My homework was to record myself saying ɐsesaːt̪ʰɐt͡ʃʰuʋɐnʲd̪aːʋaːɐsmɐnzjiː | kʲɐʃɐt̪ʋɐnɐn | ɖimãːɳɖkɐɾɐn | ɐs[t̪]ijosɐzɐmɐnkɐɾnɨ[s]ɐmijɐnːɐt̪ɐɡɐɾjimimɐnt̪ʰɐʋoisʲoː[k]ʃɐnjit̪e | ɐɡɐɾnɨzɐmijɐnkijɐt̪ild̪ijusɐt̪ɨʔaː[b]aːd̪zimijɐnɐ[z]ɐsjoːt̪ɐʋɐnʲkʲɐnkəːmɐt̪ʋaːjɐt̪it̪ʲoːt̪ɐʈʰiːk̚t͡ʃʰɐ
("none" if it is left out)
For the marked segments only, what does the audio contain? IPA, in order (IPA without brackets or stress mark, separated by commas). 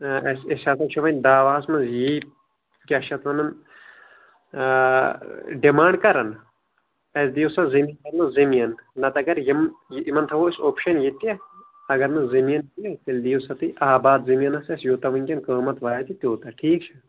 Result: d̪, z, p, b, s